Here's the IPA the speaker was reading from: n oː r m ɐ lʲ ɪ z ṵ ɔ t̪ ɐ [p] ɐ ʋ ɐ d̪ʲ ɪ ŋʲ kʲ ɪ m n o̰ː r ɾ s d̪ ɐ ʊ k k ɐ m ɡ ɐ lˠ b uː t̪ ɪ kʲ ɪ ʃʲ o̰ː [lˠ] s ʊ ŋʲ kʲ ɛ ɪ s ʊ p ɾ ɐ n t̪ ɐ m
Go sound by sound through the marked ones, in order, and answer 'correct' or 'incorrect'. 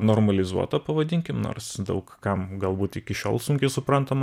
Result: correct, correct

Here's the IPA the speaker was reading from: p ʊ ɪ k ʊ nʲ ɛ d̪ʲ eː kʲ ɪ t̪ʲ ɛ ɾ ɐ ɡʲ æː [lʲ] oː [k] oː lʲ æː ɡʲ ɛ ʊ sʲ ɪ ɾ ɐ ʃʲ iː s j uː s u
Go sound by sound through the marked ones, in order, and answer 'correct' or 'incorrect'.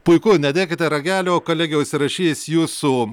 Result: correct, correct

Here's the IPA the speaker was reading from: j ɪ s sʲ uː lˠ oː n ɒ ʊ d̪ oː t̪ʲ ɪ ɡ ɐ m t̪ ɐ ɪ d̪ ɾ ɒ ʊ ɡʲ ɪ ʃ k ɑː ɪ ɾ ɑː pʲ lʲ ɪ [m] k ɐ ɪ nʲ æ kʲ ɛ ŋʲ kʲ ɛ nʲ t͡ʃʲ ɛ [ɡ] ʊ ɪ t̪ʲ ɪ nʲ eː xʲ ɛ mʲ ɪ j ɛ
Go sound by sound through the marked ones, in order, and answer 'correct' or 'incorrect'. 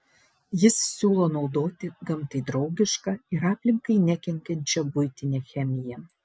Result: incorrect: ŋ, incorrect: b

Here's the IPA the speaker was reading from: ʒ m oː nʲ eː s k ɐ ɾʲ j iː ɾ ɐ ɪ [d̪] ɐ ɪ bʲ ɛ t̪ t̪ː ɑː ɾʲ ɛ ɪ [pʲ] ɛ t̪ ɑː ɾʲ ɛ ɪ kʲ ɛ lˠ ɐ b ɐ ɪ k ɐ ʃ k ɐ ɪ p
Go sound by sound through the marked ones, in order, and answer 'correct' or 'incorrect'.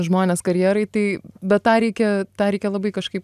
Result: incorrect: t̪, incorrect: kʲ

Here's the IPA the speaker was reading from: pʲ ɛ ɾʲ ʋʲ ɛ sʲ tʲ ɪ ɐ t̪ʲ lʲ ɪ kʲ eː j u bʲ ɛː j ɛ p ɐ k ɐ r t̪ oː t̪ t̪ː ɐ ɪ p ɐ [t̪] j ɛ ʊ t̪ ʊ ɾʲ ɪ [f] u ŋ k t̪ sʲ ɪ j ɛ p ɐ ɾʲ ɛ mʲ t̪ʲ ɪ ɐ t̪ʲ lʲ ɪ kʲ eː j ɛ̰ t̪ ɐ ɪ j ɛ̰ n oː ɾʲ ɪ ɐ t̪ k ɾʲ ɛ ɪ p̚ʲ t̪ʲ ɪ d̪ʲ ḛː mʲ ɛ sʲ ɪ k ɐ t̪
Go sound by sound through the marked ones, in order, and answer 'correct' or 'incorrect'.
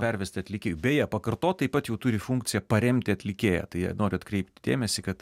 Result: correct, correct

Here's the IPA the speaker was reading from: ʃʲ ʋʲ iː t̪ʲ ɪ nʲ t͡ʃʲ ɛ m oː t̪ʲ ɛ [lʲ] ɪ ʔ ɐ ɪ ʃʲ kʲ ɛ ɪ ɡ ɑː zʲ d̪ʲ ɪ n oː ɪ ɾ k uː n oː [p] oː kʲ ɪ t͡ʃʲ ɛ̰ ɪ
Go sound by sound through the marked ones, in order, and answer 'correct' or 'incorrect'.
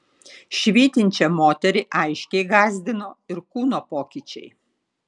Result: incorrect: ɾʲ, correct

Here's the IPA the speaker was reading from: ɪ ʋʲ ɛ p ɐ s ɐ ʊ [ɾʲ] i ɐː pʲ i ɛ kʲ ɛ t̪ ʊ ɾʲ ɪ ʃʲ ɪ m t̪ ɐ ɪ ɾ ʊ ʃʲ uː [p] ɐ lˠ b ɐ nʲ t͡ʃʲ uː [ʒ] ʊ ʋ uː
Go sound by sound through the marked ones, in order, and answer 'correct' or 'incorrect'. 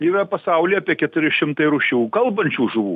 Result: incorrect: lʲ, incorrect: k, correct

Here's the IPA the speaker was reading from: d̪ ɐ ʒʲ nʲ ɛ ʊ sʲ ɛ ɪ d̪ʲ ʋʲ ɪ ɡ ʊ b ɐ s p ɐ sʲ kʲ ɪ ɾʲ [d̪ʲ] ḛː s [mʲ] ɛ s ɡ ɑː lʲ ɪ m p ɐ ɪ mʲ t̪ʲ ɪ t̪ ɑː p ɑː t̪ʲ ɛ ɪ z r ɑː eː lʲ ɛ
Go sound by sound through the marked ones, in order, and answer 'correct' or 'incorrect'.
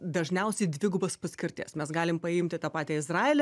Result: incorrect: t̪ʲ, correct

